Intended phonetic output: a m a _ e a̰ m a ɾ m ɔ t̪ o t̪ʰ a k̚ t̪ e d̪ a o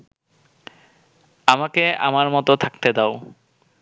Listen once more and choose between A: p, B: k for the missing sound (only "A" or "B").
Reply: B